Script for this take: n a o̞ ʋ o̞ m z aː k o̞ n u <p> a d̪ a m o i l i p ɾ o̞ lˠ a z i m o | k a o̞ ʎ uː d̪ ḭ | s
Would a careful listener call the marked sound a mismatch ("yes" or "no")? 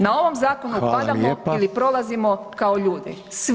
no